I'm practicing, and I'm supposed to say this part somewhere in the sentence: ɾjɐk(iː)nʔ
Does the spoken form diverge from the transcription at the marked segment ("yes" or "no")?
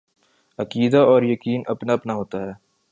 no